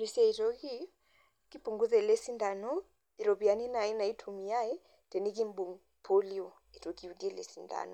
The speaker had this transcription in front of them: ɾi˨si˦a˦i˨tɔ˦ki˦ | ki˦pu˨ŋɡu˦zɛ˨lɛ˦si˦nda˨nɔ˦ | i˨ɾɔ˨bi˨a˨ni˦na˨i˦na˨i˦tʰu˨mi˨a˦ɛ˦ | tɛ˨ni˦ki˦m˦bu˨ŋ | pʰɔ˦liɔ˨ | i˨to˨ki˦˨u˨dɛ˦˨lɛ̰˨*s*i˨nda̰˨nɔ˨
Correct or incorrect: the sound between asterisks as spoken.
correct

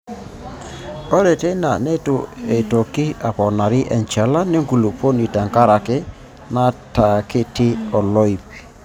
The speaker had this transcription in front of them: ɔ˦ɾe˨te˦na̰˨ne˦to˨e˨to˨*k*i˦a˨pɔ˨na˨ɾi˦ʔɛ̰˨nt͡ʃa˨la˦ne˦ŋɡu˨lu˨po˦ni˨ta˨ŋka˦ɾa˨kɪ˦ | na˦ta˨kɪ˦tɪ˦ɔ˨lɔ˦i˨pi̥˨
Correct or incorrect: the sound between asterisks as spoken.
correct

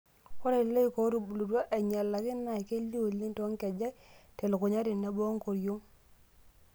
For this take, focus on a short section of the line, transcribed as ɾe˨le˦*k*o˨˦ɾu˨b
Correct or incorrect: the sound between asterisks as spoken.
correct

